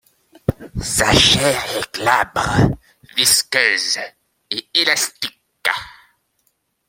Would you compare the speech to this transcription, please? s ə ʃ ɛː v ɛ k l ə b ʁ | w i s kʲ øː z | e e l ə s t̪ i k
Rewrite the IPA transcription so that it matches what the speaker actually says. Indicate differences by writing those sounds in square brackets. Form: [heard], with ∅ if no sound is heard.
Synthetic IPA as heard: s [a] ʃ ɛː [ʁ] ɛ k l [a] b ʁ | [v] i s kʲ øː z | e e l [a] s t̪ i k